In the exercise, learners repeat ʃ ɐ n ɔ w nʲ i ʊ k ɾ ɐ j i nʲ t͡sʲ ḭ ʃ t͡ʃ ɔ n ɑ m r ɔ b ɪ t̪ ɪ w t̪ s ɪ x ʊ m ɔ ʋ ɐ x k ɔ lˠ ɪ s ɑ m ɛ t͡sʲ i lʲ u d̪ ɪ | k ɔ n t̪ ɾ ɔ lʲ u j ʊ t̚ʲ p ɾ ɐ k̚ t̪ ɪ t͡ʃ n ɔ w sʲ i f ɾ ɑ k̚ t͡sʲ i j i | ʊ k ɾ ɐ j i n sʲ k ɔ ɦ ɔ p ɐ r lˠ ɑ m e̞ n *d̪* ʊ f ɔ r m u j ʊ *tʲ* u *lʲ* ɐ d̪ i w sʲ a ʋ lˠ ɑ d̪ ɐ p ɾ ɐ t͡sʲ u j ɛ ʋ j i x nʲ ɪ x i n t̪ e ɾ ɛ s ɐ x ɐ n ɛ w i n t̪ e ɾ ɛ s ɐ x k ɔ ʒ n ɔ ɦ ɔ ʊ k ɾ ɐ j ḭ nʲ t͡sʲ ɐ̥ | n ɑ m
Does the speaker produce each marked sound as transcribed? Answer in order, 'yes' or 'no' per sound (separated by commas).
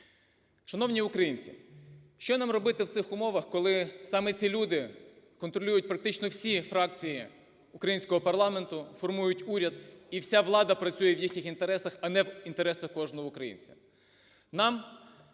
no, yes, no